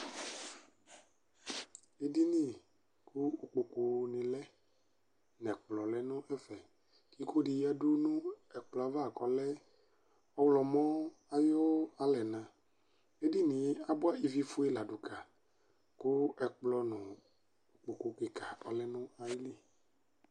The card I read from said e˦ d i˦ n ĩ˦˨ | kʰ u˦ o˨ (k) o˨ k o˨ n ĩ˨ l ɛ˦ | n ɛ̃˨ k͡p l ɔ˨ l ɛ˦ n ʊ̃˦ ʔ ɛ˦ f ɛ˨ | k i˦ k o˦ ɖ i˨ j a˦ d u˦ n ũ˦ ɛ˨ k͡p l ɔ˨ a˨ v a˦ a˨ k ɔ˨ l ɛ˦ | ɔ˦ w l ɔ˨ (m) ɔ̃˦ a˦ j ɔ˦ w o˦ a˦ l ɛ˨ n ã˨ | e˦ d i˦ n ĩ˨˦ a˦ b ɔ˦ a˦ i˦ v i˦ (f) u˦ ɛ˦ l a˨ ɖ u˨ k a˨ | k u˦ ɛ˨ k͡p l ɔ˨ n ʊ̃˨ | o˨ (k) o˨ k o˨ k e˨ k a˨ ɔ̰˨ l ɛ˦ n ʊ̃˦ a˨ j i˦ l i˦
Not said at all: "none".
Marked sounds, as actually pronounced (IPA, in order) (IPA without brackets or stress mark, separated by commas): k͡p, m, f, k͡p